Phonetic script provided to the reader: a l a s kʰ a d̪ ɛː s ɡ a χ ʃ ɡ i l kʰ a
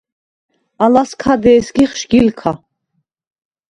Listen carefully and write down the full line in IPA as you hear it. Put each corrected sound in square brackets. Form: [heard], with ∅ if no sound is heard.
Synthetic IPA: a l a s kʰ a d̪ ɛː s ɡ [i] χ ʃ ɡ i l kʰ a